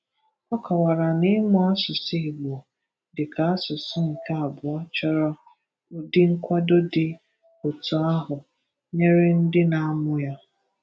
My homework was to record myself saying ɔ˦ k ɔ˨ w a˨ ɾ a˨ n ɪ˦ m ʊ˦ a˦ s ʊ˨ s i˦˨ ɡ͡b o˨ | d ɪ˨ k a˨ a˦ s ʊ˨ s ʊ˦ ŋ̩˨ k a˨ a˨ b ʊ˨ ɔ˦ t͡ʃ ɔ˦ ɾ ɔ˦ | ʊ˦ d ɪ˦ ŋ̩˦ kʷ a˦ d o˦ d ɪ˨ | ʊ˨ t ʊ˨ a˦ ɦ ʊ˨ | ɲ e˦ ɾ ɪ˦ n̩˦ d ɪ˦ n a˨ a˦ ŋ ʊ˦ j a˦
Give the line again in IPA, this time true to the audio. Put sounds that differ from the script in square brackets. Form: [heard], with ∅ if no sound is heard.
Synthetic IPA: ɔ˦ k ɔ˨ w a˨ ɾ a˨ n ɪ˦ m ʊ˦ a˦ s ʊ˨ s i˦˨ ɡ͡b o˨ | d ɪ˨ k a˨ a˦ s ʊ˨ s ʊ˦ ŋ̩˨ k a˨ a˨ b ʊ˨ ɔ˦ t͡ʃ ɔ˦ ɾ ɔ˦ | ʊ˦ d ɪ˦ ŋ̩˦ kʷ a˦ d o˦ d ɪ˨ | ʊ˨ t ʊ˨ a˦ ɦ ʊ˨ | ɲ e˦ ɾ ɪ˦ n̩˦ d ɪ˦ n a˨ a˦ [m] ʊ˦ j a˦